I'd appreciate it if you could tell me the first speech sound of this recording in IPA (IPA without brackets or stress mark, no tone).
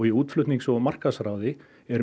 ɣ